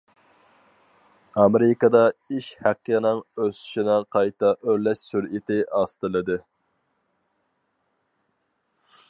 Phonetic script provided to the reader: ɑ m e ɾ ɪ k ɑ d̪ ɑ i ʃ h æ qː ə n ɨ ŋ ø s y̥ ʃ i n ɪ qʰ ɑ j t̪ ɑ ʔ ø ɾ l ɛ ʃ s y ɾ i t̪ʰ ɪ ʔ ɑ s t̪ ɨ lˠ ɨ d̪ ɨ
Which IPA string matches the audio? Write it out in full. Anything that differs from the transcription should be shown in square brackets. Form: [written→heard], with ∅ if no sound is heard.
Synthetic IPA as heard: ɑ m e ɾ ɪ k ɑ d̪ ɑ i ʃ h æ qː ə n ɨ ŋ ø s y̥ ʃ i n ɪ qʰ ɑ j t̪ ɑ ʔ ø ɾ l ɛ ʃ s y ɾ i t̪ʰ ɪ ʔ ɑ s t̪ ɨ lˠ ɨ d̪ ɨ